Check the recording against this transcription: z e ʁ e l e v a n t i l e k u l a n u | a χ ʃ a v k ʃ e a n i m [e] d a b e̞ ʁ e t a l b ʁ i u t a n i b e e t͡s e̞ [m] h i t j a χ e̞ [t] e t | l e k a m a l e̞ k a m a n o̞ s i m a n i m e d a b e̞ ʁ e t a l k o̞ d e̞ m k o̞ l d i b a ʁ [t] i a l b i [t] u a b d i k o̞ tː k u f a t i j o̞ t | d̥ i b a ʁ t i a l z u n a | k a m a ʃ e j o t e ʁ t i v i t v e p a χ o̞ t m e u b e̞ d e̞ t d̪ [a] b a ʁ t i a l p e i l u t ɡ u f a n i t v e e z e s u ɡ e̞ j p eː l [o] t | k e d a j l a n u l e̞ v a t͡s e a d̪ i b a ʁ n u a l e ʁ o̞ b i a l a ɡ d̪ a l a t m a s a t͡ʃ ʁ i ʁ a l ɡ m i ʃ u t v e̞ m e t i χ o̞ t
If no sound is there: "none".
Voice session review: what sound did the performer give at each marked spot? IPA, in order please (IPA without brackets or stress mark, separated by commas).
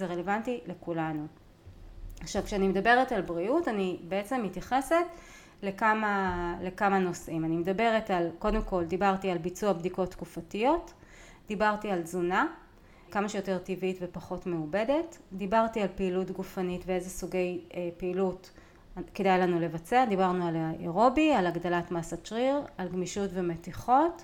e, m, s, t, t͡s, i, u